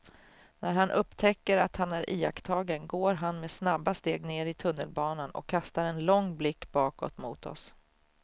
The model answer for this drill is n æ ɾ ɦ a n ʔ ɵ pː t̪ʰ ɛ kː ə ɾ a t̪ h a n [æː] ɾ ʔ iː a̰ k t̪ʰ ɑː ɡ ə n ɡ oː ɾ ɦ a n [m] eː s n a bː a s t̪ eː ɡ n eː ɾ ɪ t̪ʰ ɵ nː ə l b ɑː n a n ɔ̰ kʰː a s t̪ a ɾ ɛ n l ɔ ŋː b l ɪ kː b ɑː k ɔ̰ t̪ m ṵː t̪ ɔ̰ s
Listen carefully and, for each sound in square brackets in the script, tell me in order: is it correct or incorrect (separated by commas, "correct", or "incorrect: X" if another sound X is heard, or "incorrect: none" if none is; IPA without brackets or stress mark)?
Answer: incorrect: æ, correct